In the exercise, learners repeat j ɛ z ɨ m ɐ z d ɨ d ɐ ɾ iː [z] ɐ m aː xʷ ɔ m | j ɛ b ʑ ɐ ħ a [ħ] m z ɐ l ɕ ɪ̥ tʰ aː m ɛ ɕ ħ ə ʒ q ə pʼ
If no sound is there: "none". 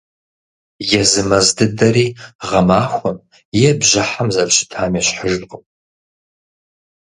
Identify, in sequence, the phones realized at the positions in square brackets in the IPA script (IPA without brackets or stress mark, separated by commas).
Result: ʁ, none